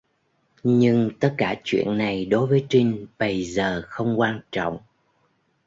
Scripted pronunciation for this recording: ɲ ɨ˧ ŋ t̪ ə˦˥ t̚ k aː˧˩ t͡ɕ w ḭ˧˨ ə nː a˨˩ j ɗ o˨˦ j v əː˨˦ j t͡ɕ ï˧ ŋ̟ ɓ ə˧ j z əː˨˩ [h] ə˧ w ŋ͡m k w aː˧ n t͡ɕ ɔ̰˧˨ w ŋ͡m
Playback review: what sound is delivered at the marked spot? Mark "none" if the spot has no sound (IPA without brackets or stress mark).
x